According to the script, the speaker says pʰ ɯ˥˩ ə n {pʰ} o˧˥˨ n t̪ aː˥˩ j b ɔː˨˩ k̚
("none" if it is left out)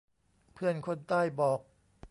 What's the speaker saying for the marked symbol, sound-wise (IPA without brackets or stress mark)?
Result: kʰ